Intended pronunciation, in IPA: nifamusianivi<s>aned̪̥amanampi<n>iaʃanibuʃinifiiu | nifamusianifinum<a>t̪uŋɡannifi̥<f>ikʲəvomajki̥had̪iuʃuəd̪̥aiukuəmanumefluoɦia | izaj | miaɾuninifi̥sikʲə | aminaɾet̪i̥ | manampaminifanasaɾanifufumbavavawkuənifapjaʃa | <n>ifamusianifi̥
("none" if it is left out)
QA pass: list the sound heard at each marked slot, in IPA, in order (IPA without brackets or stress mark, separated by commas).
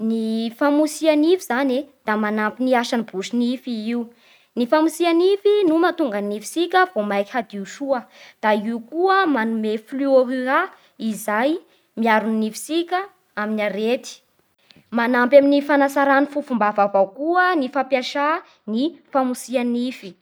z, n, a, s, n